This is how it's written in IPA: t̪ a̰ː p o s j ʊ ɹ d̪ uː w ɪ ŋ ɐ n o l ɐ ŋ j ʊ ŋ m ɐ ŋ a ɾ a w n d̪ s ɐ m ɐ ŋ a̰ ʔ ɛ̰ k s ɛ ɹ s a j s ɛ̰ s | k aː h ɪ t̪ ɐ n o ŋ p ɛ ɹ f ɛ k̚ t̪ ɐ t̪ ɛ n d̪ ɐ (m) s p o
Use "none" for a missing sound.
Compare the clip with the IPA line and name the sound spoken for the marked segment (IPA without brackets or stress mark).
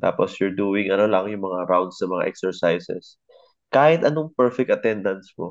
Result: n